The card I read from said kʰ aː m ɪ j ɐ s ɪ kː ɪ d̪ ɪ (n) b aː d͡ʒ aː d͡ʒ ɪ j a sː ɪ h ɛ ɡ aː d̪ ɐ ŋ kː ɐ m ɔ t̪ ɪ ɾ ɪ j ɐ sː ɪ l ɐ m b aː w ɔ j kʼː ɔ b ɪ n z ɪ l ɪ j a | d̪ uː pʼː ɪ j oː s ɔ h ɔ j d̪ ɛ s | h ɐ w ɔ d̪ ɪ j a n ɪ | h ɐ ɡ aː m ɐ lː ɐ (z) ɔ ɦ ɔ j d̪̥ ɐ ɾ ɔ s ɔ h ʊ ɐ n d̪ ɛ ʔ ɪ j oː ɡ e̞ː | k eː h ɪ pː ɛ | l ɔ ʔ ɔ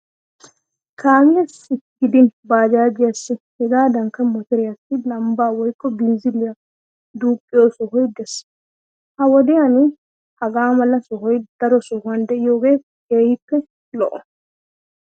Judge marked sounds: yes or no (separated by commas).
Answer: yes, no